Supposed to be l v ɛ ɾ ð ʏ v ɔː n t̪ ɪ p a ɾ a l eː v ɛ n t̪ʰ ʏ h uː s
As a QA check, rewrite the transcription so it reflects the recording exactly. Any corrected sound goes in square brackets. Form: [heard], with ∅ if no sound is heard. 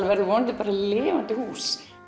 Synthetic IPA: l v ɛ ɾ ð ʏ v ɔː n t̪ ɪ p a ɾ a l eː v [a] n [t̪] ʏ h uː s